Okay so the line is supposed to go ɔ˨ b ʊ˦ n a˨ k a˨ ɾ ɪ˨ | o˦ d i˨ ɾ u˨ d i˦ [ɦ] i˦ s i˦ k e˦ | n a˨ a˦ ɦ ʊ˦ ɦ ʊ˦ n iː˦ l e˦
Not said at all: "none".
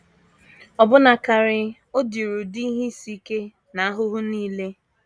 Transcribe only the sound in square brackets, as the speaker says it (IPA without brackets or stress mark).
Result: ɦ